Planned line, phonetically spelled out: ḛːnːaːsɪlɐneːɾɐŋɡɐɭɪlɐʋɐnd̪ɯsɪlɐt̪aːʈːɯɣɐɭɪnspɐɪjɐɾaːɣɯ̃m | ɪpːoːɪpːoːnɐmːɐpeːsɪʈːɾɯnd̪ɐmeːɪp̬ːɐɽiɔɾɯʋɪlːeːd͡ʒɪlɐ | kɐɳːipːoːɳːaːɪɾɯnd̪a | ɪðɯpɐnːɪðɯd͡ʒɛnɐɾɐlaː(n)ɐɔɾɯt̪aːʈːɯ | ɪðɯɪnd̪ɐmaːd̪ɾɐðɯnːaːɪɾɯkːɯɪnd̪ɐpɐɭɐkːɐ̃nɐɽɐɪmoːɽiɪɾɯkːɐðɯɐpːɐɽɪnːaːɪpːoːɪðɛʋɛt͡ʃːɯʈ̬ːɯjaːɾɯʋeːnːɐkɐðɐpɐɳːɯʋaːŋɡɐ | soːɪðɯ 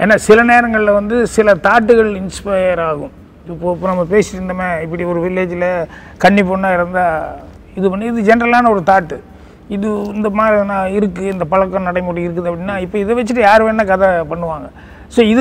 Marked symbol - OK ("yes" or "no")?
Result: yes